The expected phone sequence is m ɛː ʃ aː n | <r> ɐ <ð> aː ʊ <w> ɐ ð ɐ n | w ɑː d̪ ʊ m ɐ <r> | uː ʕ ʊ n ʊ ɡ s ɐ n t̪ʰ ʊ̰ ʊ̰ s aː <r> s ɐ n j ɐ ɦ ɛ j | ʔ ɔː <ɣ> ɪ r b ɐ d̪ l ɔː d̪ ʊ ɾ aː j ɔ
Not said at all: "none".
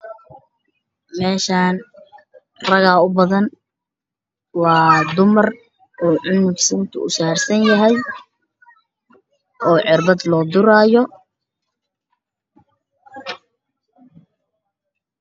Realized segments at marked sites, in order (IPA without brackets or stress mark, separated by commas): r, ɣ, b, r, r, ʕ